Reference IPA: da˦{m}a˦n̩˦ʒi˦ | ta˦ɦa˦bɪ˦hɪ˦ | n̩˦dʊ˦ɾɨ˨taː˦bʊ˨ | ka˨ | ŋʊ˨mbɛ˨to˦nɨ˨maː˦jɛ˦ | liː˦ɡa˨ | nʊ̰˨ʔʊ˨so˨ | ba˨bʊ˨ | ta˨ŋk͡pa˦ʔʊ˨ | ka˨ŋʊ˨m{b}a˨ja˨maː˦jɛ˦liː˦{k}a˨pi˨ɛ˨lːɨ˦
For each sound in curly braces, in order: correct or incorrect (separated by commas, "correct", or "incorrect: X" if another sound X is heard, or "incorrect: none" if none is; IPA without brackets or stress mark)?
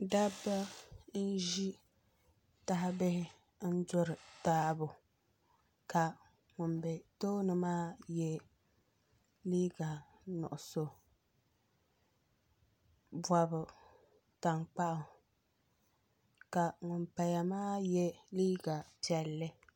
incorrect: b, incorrect: p, incorrect: ɡ